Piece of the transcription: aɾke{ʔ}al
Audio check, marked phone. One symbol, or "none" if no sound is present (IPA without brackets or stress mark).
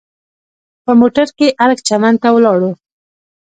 ʔ